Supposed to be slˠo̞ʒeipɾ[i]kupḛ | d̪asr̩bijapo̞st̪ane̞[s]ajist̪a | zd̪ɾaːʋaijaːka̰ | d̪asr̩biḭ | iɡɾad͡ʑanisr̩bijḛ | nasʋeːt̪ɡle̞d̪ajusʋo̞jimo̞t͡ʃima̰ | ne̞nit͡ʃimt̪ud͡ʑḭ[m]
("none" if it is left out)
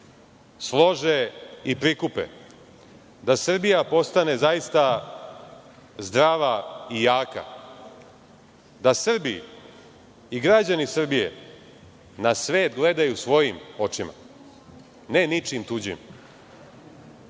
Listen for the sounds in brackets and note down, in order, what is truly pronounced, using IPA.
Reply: i, z, m

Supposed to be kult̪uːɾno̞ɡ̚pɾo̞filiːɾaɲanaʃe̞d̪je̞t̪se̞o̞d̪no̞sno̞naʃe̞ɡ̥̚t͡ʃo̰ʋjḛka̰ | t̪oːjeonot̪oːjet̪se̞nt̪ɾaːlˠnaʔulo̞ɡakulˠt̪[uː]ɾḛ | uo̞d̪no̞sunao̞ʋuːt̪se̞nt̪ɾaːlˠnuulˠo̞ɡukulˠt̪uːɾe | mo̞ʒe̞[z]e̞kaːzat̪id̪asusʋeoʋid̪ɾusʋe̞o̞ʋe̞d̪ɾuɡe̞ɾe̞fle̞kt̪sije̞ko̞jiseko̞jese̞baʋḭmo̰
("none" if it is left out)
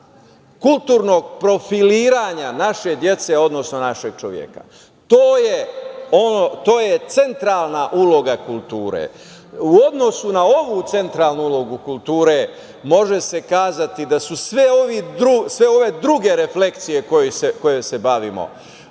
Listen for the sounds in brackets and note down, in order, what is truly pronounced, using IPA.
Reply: uː, s

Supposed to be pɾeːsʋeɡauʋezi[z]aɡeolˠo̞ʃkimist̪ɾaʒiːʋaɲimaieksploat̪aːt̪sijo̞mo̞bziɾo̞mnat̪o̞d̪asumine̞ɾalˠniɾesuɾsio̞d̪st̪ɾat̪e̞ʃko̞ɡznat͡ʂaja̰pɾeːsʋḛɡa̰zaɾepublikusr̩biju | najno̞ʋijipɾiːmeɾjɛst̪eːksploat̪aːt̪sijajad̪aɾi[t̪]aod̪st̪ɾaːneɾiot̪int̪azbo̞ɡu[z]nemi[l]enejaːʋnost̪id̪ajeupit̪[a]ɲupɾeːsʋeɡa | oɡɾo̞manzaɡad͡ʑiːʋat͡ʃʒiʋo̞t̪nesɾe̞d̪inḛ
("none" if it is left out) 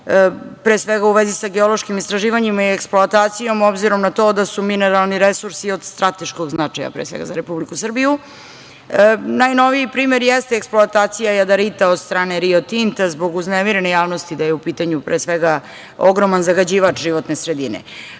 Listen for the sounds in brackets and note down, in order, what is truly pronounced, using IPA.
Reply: s, t̪, z, ɾ, a

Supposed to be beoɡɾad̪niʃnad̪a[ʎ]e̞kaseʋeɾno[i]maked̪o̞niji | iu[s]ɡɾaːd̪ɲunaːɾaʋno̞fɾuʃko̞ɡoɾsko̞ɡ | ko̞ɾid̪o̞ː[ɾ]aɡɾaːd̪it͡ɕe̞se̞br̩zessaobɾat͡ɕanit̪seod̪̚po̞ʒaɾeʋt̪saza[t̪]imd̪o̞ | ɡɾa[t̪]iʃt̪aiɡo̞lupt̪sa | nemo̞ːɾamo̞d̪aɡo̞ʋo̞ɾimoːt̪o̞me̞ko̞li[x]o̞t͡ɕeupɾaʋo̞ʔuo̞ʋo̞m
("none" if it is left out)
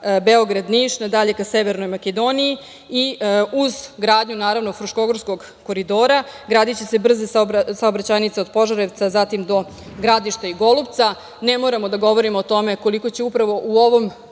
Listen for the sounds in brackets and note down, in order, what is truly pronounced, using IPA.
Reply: ʎ, j, z, ɾ, t̪, d̪, k

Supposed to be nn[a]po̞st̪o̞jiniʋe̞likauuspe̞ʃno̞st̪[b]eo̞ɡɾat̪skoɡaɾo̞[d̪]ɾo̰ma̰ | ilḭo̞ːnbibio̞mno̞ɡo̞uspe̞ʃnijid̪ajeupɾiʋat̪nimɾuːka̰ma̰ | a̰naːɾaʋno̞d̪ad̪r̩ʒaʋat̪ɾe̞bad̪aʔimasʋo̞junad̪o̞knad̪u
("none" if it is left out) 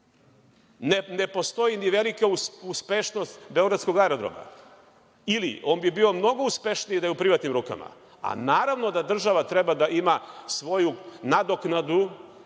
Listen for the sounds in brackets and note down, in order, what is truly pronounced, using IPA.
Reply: e, b, d̪

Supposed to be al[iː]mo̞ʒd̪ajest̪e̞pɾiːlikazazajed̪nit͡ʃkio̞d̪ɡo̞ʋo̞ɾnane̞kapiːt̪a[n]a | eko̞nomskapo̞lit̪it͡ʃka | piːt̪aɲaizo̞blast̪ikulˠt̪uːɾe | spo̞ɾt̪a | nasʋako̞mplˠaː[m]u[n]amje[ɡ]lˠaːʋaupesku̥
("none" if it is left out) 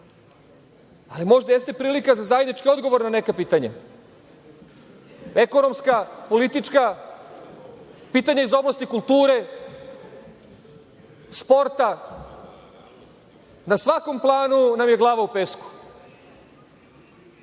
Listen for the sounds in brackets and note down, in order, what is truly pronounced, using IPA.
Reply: i, ɲ, n, n, ɡ

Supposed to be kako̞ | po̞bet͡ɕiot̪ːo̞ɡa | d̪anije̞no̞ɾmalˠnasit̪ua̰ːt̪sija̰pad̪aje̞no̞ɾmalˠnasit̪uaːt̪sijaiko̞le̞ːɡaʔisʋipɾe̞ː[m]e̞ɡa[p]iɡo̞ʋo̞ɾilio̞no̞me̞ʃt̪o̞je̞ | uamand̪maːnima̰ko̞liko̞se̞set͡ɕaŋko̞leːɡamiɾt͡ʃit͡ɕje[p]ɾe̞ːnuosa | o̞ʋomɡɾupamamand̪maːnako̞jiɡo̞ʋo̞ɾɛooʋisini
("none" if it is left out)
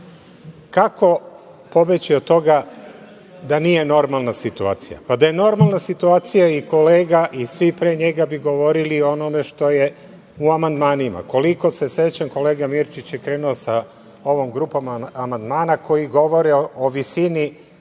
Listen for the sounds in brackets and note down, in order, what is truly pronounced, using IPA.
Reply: ɲ, b, k

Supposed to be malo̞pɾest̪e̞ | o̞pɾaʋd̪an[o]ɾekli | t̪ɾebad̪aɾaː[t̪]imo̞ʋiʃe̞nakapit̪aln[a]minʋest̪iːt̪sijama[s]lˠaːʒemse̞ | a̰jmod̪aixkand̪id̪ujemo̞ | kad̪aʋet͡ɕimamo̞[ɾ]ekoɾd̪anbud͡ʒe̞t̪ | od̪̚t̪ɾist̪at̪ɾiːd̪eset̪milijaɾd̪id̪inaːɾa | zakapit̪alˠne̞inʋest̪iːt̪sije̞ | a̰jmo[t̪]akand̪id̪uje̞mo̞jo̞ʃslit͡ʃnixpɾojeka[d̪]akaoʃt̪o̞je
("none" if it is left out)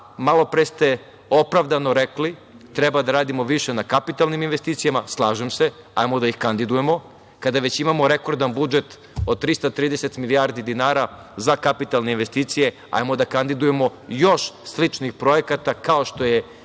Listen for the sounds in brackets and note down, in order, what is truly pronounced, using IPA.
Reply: o, d̪, i, s, ɾ, d̪, t̪

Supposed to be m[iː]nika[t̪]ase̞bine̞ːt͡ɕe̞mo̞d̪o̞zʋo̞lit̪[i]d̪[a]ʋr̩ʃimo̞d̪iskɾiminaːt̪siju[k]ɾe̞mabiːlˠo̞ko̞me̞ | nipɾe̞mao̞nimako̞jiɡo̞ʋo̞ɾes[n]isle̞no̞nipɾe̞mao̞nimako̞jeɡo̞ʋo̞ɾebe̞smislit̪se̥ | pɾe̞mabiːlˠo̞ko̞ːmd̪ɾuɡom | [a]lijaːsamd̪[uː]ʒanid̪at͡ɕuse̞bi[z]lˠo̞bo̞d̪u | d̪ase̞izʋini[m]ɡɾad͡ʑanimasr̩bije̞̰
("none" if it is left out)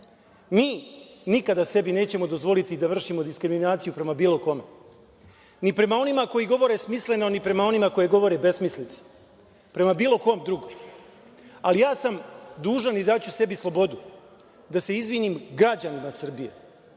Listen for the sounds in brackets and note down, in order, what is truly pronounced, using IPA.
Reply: iː, d̪, i, a, p, m, a, uː, s, m

